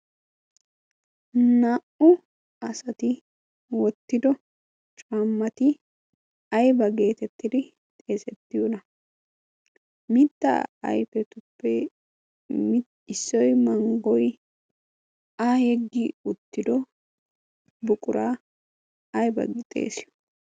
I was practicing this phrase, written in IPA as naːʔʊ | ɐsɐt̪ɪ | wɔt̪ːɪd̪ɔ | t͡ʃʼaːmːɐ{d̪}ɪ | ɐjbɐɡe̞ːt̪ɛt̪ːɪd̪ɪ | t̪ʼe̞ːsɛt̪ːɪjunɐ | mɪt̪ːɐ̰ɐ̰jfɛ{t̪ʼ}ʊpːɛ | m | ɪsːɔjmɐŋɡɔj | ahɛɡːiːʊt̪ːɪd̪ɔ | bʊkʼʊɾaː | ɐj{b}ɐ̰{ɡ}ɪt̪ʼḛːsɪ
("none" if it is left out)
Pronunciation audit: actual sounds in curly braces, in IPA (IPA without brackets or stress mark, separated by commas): t̪, t̪, b, ɡ